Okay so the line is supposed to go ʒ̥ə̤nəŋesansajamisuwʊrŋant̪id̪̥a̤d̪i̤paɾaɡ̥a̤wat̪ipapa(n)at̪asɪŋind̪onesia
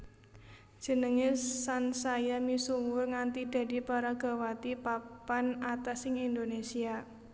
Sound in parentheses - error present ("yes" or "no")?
no